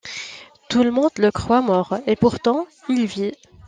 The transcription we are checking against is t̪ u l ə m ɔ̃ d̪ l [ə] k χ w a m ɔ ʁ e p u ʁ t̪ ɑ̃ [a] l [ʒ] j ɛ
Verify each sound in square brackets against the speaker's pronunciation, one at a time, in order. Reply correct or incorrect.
correct, incorrect, incorrect

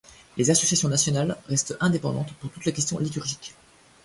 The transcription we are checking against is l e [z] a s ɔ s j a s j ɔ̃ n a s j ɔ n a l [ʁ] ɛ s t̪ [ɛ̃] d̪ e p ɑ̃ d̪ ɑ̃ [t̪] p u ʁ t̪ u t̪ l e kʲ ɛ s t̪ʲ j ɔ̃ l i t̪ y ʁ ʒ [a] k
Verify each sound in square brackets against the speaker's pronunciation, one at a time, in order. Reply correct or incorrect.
correct, correct, correct, correct, incorrect

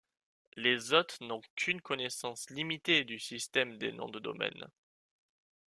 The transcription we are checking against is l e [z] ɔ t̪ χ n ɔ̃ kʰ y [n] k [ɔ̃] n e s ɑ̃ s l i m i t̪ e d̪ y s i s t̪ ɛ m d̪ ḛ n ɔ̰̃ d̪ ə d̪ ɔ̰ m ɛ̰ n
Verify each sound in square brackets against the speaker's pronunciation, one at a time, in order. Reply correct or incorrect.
correct, correct, incorrect

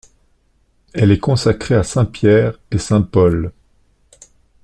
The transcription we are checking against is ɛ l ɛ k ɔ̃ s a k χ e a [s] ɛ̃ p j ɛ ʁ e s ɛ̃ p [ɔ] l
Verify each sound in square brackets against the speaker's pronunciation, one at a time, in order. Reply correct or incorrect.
correct, correct

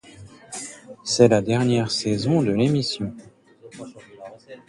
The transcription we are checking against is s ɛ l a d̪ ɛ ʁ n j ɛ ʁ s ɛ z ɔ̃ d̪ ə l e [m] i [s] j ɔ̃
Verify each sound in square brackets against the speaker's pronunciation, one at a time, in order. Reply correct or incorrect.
correct, correct

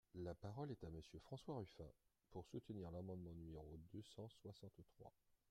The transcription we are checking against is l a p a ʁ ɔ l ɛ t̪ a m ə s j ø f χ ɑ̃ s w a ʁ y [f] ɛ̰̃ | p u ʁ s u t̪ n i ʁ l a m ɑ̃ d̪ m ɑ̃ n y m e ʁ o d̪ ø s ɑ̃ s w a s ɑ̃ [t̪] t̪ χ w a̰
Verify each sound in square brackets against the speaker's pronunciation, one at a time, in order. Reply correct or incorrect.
correct, correct

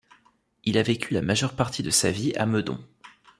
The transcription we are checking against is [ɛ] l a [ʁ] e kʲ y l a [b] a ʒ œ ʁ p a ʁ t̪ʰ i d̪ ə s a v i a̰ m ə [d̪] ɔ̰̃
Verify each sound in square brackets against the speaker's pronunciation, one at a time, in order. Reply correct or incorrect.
incorrect, incorrect, incorrect, correct

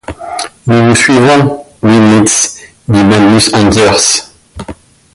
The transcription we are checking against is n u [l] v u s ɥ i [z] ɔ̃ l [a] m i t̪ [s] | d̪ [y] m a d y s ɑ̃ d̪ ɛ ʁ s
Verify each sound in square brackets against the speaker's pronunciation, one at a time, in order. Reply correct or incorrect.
incorrect, incorrect, incorrect, correct, incorrect

